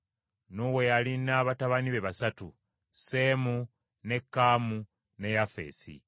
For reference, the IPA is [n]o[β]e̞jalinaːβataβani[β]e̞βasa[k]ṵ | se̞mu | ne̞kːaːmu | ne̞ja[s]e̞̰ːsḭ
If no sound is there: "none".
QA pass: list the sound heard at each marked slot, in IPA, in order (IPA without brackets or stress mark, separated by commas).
n, w, β, t, f